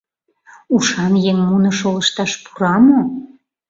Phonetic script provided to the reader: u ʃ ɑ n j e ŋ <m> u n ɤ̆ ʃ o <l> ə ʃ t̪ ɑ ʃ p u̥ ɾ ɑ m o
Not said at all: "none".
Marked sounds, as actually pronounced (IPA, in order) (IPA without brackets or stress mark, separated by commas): m, l